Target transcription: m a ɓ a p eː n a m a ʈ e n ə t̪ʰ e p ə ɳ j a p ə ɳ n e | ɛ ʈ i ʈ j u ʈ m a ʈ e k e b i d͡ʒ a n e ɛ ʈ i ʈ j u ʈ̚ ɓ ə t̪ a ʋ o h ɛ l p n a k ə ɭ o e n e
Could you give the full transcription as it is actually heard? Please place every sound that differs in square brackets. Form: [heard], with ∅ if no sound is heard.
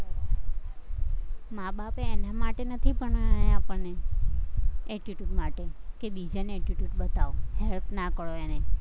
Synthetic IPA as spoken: m a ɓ a p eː n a m a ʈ e n ə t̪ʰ [i] p ə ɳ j a p ə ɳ n e | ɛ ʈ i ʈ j u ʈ m a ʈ e k e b i d͡ʒ a n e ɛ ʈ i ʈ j u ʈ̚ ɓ ə t̪ a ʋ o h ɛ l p n a k ə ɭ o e n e